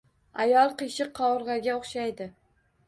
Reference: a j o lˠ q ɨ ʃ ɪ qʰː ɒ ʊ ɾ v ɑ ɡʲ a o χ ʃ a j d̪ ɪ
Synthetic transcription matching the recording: a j ɒ lˠ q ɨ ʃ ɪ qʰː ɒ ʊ ɾ ʁ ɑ ɡʲ a o χ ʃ a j d̪ ɪ

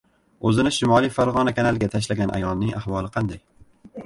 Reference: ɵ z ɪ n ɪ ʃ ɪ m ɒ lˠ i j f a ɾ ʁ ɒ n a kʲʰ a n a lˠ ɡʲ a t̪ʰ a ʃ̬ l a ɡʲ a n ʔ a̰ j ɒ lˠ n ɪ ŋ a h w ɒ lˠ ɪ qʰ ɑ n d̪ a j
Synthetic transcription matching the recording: ɵ z ɪ n ɪ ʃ ɪ m ɒ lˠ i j f a ɾ ʁ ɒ n a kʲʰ a n a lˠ ɡʲ a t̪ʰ a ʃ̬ l a ɡʲ a n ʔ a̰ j ɒ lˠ n ɪ ŋ a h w ɒ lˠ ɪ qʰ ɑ n d̪ a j

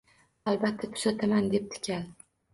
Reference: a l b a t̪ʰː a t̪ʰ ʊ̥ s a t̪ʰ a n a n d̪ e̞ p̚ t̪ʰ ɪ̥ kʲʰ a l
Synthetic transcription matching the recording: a l b a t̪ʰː a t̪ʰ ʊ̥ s a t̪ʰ a m a n d̪ e̞ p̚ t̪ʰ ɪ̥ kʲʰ a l

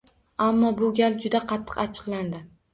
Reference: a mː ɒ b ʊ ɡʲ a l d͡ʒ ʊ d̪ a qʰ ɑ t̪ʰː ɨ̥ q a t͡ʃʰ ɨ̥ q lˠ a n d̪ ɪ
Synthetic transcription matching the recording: a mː ɒ b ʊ ɡʲ a l d͡ʒ ʊ d̪ a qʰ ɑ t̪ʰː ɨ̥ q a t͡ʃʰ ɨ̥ q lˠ a n d̪ ɪ

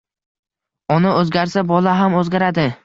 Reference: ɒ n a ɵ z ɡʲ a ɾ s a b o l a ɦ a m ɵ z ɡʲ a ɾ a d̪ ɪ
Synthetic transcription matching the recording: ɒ n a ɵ z ɡʲ a ɾ s a b ɒ l a ɦ a m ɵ z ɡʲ a ɾ a d̪ ɪ

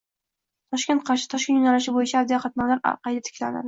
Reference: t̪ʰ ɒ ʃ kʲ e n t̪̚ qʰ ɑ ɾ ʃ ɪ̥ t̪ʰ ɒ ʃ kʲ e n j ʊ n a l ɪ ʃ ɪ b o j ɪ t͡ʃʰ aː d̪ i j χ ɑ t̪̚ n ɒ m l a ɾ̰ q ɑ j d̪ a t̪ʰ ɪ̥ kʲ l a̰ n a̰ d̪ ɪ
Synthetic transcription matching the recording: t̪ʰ ɒ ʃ kʲ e n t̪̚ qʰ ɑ ɾ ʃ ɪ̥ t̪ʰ ɒ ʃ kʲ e n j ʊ n a l ɪ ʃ ɪ b o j ɪ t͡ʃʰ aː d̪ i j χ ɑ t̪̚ n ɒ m l a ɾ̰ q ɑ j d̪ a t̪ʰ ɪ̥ kʲ l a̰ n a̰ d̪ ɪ

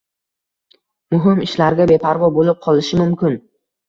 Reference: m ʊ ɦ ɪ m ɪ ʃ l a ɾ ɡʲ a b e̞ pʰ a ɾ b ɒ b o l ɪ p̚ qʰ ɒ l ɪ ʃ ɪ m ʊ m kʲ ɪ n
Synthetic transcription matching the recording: m ʊ ɦ ɪ m ɪ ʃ l a ɾ ɡʲ a b e̞ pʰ a ɾ v ɒ b o l ɪ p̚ qʰ ɒ l ɪ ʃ ɪ m ʊ m kʲ ɪ n

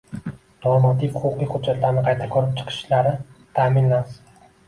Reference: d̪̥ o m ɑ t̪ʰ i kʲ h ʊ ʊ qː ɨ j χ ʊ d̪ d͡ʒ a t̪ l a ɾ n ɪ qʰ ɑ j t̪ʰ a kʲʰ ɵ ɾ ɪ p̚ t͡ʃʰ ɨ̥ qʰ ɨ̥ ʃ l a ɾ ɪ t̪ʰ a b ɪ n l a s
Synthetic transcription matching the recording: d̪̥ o m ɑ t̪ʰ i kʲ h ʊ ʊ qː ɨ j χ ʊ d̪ d͡ʒ a t̪ l a ɾ n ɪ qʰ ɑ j t̪ʰ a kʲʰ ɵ ɾ ɪ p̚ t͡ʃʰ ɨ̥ qʰ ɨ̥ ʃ l a ɾ ɪ t̪ʰ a m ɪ n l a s

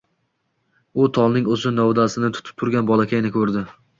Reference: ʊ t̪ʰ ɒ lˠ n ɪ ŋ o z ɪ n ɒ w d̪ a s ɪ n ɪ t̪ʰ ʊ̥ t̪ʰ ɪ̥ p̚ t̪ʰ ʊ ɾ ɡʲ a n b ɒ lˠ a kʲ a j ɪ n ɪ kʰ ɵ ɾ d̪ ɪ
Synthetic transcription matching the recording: ʊ t̪ʰ ɒ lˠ n ɪ ŋ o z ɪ n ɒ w d̪ a s ɪ n ɪ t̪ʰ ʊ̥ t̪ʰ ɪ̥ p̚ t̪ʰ ʊ ɾ ɡʲ a n b ɒ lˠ a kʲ a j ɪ n ɪ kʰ ɵ ɾ d̪ ɪ

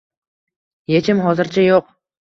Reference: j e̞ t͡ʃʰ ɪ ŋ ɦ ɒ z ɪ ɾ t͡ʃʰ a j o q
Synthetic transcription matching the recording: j e̞ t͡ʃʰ ɪ m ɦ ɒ z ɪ ɾ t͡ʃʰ a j o q

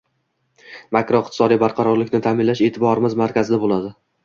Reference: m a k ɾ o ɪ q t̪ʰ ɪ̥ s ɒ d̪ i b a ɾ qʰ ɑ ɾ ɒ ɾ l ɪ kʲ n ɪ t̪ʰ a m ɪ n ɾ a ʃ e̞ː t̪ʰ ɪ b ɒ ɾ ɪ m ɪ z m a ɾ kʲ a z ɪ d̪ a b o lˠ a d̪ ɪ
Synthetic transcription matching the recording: m a k ɾ o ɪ q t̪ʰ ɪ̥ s ɒ d̪ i b a ɾ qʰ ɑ ɾ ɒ ɾ l ɪ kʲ n ɪ t̪ʰ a m ɪ n l a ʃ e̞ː t̪ʰ ɪ b ɒ ɾ ɪ m ɪ z m a ɾ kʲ a z ɪ d̪ a b o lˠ a d̪ ɪ

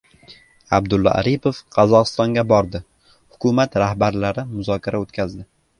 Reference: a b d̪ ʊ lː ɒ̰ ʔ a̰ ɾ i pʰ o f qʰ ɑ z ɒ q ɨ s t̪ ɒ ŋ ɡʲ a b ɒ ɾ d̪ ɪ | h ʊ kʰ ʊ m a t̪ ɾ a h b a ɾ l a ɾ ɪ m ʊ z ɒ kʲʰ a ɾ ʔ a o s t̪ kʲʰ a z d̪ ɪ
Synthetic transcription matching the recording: a b d̪ ʊ lː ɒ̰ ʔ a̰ ɾ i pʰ o f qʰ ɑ z ɒ q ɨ s t̪ ɒ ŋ ɡʲ a b ɒ ɾ d̪ ɪ | h ʊ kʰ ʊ m a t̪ ɾ a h b a ɾ l a ɾ ɪ m ʊ z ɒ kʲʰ a ɾ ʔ a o t̪ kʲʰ a z d̪ ɪ

